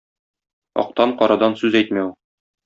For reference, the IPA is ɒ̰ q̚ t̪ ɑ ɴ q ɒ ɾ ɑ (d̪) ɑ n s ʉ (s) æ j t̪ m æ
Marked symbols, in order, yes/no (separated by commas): yes, no